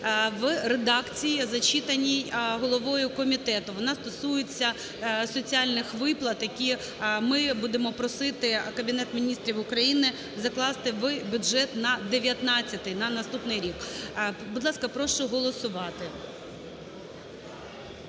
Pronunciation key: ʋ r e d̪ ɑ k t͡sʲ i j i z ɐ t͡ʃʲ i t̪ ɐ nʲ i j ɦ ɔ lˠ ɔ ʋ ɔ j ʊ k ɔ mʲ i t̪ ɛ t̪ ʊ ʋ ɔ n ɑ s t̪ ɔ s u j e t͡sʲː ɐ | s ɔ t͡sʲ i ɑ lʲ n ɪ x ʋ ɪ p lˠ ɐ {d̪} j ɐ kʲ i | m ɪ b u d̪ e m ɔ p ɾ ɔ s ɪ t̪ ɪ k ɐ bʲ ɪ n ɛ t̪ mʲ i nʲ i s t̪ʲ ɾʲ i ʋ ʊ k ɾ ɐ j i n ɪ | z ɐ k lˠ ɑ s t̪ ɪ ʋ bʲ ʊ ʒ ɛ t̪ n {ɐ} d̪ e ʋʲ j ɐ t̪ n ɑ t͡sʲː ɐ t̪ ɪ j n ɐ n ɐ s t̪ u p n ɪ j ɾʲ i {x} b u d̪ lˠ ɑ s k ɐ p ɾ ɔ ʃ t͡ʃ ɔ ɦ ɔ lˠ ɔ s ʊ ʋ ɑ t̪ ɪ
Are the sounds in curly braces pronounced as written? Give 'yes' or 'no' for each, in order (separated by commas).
no, yes, no